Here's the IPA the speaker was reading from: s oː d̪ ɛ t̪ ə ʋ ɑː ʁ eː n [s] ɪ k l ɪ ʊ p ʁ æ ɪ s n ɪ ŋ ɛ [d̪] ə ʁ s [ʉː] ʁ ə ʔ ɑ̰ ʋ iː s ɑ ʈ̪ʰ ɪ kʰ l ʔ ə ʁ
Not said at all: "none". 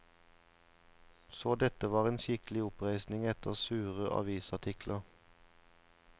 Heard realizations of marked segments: ʃ, t̪, ʉː

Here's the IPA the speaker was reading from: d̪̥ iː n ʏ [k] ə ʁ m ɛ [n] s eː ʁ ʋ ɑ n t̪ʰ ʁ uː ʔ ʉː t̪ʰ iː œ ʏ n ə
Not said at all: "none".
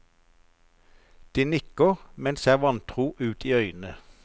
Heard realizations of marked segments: k, n

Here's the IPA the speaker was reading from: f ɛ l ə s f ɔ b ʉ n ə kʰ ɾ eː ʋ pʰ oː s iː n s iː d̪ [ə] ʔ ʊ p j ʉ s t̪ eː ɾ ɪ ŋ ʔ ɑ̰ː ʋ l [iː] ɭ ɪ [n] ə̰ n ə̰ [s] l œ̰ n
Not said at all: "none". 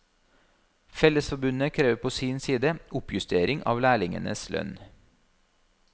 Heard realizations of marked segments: ə, æː, ŋ, s

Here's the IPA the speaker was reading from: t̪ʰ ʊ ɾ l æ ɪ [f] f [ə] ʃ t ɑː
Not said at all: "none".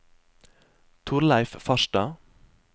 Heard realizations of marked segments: f, ɑ

